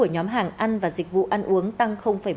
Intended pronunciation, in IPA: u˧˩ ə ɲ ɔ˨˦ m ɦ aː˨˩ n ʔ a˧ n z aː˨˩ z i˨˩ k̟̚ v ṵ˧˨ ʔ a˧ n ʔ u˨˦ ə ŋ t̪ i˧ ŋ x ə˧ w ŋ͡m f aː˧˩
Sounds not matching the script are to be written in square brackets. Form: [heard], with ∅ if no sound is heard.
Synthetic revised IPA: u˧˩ ə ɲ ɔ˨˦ m ɦ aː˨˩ [ŋ] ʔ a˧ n [v] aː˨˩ z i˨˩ k̟̚ v ṵ˧˨ ʔ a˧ n ʔ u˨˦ ə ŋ t̪ [a˧] ŋ x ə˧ w ŋ͡m f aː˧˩